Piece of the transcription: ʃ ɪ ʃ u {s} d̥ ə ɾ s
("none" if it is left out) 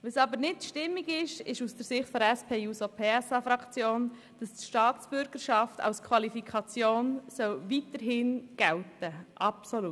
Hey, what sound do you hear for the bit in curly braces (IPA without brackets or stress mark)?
s